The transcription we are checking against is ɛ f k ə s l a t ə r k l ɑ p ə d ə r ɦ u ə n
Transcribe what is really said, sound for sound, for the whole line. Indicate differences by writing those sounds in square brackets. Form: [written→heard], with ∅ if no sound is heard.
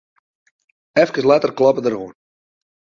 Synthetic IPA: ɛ f k ə s l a t ə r k l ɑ p ə d ə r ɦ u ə n